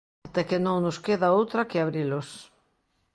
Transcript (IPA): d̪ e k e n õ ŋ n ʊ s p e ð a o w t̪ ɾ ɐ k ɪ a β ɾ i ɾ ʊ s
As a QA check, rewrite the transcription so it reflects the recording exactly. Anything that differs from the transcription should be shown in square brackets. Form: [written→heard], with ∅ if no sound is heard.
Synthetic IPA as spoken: [d̪→t̪] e k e n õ ŋ n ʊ s [p→k] e ð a o w t̪ ɾ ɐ k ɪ a β ɾ i [ɾ→l] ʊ s